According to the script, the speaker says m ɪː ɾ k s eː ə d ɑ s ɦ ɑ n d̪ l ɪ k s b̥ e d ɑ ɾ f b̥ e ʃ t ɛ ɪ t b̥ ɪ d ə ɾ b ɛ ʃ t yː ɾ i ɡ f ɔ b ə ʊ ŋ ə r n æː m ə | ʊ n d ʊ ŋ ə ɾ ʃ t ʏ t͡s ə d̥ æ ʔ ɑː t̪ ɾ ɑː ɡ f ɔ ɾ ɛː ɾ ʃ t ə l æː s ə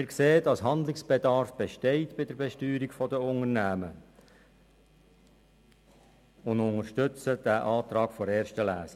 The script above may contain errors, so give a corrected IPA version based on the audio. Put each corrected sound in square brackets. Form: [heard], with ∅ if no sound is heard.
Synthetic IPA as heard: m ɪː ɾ k s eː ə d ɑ s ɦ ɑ n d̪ l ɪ k s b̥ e d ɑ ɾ f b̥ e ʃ t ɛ ɪ t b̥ ɪ d ə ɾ b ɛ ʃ t yː ɾ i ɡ f ɔ [d] ə ʊ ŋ ə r n æː m ə | ʊ n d ʊ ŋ ə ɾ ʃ t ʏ t͡s ə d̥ æ ʔ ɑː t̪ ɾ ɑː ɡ f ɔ ɾ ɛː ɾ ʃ t ə l æː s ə